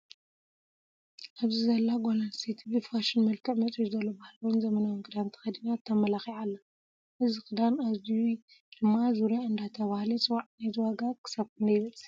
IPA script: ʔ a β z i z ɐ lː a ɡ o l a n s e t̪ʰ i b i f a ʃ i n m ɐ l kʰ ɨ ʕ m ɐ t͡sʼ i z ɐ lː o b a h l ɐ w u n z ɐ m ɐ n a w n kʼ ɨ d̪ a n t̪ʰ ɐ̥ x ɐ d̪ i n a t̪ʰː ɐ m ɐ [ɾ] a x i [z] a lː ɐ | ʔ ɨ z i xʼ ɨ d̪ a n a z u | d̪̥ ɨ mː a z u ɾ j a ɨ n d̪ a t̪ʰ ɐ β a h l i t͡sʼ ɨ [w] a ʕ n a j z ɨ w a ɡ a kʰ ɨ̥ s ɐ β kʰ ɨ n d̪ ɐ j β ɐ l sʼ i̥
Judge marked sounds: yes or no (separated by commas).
no, no, yes